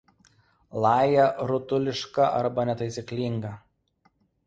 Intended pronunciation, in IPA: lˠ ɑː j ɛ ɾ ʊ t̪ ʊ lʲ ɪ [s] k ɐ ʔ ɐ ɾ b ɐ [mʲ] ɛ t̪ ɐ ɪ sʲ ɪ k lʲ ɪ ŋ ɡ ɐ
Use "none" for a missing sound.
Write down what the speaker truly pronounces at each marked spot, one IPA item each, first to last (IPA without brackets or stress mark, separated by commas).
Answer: ʃ, nʲ